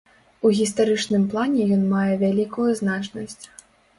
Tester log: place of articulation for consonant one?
velar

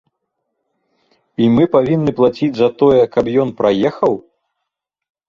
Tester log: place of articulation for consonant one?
labial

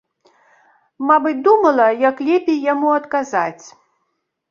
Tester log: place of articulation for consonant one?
labial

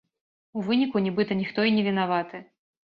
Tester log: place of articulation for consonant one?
labial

